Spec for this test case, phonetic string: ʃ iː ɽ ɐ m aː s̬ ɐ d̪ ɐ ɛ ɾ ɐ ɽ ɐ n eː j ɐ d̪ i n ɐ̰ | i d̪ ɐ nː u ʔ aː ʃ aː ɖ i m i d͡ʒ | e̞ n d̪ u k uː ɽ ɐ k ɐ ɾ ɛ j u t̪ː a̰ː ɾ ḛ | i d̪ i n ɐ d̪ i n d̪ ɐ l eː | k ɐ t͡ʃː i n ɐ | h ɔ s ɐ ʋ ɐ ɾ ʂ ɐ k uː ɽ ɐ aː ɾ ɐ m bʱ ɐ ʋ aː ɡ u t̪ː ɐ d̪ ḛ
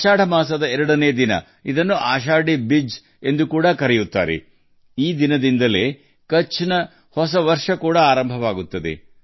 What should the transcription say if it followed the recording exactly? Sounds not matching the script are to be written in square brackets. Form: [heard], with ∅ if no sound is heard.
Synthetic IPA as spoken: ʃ [aː] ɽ ɐ m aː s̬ ɐ d̪ ɐ ɛ ɾ ɐ ɽ ɐ n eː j ɐ d̪ i n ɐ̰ | i d̪ ɐ nː u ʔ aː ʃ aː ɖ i [b] i d͡ʒ | e̞ n d̪ u k uː ɽ ɐ k ɐ ɾ ɛ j u t̪ː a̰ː ɾ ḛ | [iː] d̪ i n ɐ d̪ i n d̪ ɐ l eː | k ɐ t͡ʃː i n ɐ | h ɔ s ɐ ʋ ɐ ɾ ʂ ɐ k uː ɽ ɐ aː ɾ ɐ m bʱ ɐ ʋ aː ɡ u t̪ː ɐ d̪ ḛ